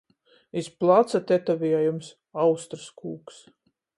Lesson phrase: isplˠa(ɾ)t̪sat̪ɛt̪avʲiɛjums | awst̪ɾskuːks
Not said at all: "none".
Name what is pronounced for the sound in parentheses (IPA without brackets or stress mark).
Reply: none